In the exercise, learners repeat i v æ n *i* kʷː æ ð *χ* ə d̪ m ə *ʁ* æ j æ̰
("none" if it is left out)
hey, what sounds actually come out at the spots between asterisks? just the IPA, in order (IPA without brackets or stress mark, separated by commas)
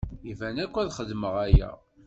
æ, χ, ʁ